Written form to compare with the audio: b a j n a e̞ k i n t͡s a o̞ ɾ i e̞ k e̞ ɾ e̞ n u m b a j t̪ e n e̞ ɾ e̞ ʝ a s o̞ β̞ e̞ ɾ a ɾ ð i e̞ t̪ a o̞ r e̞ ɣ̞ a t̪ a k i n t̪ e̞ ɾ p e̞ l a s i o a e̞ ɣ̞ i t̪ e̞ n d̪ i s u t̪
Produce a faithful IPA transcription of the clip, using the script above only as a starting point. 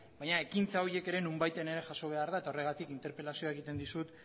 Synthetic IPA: b a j ɲ a e̞ k i n t͡s a o̞ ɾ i e̞ k e̞ ɾ e̞ n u m b a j t̪ e n e̞ ɾ e̞ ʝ a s o̞ β̞ e̞ a ɾ ð a e̞ t̪ a o̞ r e̞ ɣ̞ a t̪ i k i n t̪ e̞ ɾ p e̞ l a s i o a e̞ ɣ̞ i t̪ e̞ n d̪ i s u t̪